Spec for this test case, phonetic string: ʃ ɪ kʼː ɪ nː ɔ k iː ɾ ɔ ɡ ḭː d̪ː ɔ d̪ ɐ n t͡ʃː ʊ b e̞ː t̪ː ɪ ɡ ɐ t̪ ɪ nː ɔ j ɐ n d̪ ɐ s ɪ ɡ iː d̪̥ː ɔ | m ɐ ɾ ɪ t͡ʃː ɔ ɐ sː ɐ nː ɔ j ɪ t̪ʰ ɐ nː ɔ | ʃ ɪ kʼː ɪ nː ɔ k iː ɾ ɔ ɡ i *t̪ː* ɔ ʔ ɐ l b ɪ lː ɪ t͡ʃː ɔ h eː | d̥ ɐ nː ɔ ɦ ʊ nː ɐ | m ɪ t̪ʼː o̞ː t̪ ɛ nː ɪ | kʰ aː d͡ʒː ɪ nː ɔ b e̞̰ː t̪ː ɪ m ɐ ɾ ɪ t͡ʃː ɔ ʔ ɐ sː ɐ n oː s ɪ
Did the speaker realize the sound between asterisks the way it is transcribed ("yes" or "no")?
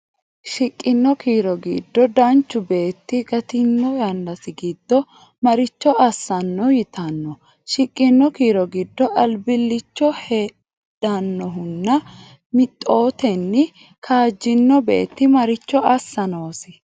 no